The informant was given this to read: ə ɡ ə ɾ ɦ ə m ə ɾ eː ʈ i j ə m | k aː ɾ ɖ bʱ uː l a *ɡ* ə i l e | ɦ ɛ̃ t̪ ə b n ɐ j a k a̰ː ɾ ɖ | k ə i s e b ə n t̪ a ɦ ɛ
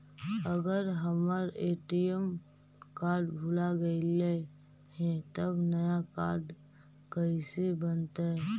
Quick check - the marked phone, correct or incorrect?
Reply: correct